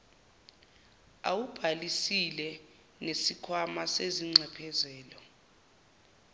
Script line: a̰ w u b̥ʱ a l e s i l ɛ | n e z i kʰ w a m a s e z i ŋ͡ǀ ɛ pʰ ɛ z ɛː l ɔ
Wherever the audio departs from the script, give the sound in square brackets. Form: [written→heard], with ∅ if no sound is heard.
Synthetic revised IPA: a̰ w u b̥ʱ a l [e→i] s i l ɛ | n e [z→s] i kʰ w a m a s e z i ŋ͡ǀ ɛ pʰ ɛ z ɛː l ɔ